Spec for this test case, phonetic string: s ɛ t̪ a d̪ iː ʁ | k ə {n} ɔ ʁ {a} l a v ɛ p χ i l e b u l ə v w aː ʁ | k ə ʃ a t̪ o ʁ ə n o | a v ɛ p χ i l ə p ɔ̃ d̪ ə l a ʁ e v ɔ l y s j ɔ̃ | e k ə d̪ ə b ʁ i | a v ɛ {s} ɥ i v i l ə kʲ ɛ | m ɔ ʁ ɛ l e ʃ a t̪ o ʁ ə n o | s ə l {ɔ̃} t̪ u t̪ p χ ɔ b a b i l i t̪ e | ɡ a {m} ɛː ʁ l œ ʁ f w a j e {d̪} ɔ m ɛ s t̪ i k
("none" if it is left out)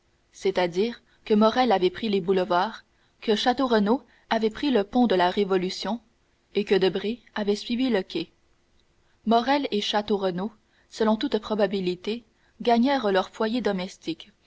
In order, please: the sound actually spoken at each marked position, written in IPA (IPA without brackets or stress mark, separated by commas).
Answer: m, ɛ, s, ɔ̃, ɲ, d̪